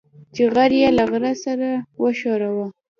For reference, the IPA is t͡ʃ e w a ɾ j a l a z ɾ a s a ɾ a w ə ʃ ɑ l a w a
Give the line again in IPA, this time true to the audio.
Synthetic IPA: t͡ʃ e ɣ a ɾ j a l a ɣ ɾ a s a ɾ a w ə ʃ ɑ ɾ a w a